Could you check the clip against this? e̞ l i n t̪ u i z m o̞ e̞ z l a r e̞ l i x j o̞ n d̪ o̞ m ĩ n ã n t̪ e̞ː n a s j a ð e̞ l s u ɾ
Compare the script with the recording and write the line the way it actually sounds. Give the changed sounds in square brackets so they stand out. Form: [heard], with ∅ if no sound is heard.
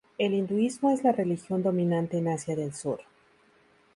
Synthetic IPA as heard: e̞ l i n [d̪] u i z m o̞ e̞ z l a r e̞ l i x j o̞ n d̪ o̞ m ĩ n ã n t̪ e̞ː n a s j a ð e̞ l s u ɾ

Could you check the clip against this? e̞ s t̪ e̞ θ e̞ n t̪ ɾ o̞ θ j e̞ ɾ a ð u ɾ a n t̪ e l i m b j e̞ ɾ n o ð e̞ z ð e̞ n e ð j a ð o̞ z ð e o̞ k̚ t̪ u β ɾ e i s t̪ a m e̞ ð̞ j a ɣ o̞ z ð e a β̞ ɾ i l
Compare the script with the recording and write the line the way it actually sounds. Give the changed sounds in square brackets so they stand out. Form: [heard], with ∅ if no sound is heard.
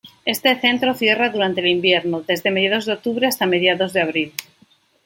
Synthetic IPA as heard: e̞ s t̪ e̞ θ e̞ n t̪ ɾ o̞ θ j e̞ [r] a ð u ɾ a n t̪ e l i m b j e̞ ɾ n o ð e̞ z ð e̞ [m] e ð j a ð o̞ z ð e o̞ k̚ t̪ u β ɾ e [a] s t̪ a m e̞ ð̞ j a [ð] o̞ z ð e a β̞ ɾ i l

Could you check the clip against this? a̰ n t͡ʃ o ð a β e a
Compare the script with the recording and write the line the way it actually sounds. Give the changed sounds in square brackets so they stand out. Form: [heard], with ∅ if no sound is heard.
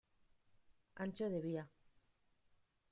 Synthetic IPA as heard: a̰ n t͡ʃ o ð [e] β [i] a

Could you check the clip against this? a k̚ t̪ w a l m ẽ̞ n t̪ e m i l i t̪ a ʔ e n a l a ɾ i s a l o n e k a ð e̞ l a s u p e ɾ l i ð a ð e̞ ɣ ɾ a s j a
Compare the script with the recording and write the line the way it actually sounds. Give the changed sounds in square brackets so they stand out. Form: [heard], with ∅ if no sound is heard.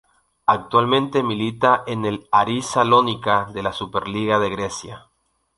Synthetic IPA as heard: a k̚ t̪ w a l m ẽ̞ n t̪ e m i l i t̪ a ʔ e n [e] l a ɾ i s a l o n [i] k a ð e̞ l a s u p e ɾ l i [ɣ] a ð e̞ ɣ ɾ [e] s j a

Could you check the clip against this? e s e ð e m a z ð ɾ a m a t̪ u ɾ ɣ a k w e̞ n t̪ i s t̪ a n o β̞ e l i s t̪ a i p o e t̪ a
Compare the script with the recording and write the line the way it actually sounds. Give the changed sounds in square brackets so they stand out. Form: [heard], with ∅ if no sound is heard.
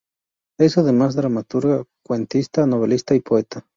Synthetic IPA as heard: e s [a] ð e m a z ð ɾ a m a t̪ u ɾ ɣ a k w e̞ n t̪ i s t̪ a n o β̞ e l i s t̪ a i p o e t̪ a

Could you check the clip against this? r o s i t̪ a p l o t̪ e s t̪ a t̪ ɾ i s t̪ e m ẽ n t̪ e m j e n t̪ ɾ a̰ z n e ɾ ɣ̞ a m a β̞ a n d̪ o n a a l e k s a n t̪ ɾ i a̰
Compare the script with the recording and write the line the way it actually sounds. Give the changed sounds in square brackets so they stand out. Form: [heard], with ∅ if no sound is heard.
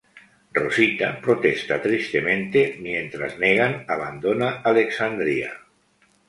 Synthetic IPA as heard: r o s i t̪ a p [ɾ] o t̪ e s t̪ a t̪ ɾ i s t̪ e m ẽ n t̪ e m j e n t̪ ɾ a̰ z n e [∅] ɣ̞ a [n] a β̞ a n d̪ o n a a l e k s a n [d̪] ɾ i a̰

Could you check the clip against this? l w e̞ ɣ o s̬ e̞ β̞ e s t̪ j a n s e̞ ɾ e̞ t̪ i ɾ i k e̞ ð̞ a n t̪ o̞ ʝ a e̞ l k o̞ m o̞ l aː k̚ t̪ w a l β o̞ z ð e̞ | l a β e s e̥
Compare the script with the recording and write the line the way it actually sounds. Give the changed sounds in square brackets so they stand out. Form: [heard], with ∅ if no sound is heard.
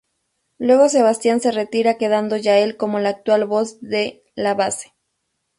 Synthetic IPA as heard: l w e̞ ɣ o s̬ e̞ β̞ [a] s t̪ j a n s e̞ [r] e̞ t̪ i ɾ [a] k e̞ ð̞ a n [d̪] o̞ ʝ a e̞ l k o̞ m o̞ l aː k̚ t̪ w a l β o̞ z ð e̞ | l a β [a] s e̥

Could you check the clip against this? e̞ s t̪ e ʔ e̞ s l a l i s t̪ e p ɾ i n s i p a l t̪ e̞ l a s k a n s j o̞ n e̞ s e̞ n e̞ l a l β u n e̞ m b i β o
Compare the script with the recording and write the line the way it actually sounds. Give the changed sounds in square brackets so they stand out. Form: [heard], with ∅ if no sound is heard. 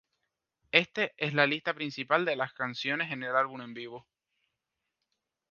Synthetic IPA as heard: e̞ s t̪ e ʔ e̞ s l a l i s t̪ [a] p ɾ i n s i p a l [d̪] e̞ l a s k a n s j o̞ n e̞ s e̞ n e̞ l a l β u n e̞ m b i β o

